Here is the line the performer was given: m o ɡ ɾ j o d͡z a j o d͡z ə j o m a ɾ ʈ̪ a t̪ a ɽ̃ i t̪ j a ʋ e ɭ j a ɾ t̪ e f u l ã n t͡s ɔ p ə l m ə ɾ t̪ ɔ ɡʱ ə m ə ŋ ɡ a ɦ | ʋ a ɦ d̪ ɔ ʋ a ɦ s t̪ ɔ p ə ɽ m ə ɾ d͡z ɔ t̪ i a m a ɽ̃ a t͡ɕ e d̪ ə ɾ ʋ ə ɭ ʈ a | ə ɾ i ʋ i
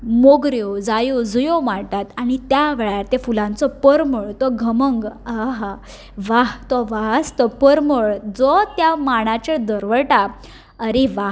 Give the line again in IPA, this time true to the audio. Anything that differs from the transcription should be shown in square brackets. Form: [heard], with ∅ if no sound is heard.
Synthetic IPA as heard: m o ɡ ɾ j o d͡z a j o d͡z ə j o m a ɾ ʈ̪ a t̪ a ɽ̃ i t̪ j a ʋ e ɭ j a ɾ t̪ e f u l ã n t͡s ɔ p ə [ɾ] m ə [ɭ] t̪ ɔ ɡʱ ə m ə ŋ ɡ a ɦ | ʋ a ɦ [t̪] ɔ ʋ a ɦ s t̪ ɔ p ə [ɾ] m ə [ɭ] d͡z ɔ t̪ [j] a m a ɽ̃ a t͡ɕ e d̪ ə ɾ ʋ ə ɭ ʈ a | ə ɾ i ʋ [a]